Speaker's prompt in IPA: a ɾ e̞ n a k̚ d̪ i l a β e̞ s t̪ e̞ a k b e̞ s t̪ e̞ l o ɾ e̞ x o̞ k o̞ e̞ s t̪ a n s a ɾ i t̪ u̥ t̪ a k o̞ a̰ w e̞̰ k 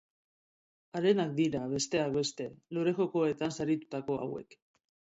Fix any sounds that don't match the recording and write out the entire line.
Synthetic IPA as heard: a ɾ e̞ n a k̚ d̪ i ɾ a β e̞ s t̪ e̞ a k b e̞ s t̪ e̞ l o ɾ e̞ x o̞ k o̞ e̞ t̪ a n s a ɾ i t̪ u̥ t̪ a k o̞ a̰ w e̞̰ k